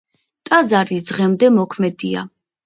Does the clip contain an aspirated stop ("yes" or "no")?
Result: yes